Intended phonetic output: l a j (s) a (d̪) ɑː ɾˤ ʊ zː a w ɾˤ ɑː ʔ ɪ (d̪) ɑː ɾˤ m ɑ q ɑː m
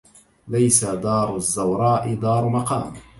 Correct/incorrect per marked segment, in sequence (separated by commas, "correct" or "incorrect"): correct, correct, correct